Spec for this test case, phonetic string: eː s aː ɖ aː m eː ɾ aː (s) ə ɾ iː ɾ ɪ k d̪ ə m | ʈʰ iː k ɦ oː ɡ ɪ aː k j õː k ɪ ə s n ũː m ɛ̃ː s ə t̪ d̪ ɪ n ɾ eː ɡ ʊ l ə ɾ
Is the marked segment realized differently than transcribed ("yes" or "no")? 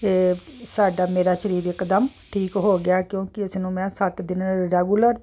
yes